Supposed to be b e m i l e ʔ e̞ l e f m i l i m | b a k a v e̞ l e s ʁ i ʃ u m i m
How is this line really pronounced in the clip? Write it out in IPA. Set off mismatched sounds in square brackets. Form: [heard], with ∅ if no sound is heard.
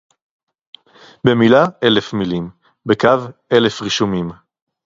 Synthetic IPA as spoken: b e m i l [a] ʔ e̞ l e f m i l i m | b [e] k a v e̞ l e [f] ʁ i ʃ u m i m